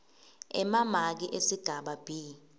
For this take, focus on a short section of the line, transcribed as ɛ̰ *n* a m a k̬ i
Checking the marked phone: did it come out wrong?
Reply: yes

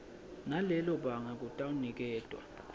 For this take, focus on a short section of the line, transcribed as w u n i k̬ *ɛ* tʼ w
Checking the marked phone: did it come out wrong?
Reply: yes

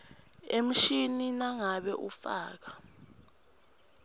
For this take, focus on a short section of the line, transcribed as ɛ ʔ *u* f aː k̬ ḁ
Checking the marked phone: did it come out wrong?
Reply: no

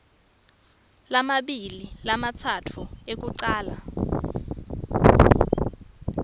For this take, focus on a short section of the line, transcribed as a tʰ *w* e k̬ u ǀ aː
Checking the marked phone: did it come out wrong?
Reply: yes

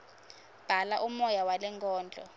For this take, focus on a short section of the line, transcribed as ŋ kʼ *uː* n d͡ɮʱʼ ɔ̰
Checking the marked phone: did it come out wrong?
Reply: yes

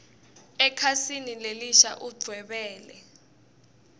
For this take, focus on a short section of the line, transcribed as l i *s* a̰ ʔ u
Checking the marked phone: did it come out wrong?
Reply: yes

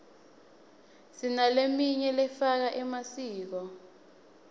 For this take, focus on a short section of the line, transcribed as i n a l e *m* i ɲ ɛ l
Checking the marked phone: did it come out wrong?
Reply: no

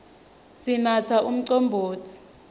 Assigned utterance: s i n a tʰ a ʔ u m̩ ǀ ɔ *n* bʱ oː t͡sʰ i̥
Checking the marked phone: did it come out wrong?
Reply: yes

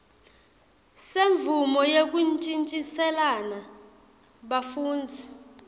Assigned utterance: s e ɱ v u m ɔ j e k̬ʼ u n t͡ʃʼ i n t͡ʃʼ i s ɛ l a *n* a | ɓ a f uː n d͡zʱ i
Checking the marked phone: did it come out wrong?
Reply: no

